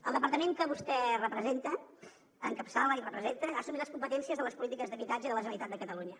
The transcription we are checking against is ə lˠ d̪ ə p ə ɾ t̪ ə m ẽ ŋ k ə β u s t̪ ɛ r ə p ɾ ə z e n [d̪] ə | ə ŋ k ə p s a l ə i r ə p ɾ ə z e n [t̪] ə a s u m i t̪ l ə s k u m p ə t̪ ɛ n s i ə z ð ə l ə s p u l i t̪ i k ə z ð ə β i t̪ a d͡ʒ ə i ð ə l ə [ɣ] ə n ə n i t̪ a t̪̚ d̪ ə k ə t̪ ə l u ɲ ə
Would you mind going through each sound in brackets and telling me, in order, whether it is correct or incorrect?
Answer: incorrect: t̪, correct, incorrect: ʒ

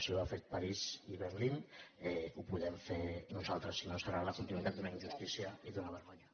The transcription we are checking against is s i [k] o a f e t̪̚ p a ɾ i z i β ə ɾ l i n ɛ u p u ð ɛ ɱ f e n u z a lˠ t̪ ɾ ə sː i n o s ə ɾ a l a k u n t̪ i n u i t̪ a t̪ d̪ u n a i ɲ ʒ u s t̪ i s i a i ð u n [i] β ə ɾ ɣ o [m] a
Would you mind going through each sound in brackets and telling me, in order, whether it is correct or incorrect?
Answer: incorrect: none, incorrect: a, incorrect: ɲ

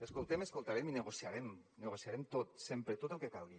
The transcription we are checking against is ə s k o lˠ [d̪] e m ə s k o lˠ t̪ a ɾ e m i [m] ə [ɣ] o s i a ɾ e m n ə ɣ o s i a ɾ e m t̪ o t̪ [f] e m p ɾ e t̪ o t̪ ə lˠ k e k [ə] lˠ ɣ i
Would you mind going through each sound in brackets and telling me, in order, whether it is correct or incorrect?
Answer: incorrect: t̪, incorrect: n, correct, incorrect: s, incorrect: a

